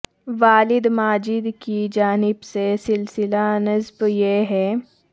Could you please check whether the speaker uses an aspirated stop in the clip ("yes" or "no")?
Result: no